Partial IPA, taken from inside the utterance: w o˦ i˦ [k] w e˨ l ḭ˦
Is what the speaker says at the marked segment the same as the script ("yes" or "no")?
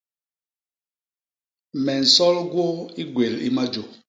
no